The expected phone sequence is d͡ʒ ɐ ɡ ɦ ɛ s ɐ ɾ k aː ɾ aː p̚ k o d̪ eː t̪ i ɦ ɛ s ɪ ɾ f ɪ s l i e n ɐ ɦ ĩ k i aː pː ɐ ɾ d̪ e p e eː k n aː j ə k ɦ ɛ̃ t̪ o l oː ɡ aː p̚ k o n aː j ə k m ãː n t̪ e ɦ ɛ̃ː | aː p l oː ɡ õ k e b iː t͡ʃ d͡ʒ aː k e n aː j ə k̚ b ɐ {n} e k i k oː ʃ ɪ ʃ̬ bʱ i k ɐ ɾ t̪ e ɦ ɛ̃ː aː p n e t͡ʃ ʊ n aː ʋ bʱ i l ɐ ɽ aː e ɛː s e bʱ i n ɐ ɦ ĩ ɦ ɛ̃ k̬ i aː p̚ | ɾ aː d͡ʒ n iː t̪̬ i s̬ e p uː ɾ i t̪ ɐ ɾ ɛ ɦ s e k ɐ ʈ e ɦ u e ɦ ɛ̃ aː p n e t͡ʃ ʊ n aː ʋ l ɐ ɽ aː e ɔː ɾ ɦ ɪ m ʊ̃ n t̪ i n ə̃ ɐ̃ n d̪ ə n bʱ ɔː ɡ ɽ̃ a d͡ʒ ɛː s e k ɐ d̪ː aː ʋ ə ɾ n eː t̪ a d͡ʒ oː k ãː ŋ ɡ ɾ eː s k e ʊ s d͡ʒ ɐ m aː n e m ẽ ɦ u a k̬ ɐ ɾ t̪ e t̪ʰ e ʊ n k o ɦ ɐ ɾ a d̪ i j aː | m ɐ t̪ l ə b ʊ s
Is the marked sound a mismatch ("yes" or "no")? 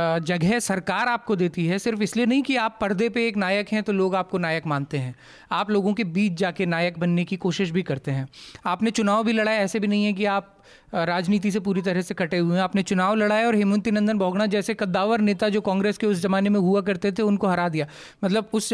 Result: yes